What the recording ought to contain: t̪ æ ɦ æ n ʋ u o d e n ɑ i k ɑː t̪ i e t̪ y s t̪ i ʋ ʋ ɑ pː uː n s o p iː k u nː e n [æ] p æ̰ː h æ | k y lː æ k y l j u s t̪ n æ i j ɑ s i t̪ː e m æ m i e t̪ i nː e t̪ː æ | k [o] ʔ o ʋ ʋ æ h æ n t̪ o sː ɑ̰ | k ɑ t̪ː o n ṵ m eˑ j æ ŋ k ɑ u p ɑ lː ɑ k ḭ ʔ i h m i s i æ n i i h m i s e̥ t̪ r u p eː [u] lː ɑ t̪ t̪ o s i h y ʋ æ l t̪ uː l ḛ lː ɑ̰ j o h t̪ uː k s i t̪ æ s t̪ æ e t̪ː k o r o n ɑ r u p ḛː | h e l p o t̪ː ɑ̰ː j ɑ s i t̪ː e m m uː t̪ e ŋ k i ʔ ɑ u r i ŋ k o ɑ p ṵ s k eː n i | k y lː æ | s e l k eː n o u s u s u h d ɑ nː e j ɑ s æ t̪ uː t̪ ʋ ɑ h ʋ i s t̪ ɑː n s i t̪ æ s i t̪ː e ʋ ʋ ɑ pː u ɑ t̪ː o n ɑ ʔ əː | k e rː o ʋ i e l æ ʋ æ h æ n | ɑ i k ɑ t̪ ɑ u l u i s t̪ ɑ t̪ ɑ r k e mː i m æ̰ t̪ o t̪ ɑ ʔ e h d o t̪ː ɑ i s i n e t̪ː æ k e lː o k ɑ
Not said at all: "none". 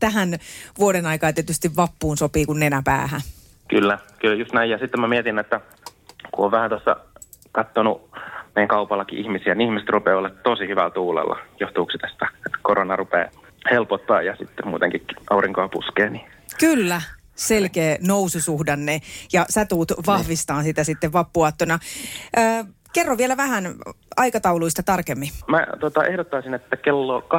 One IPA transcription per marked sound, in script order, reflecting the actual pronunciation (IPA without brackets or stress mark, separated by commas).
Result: æ, u, o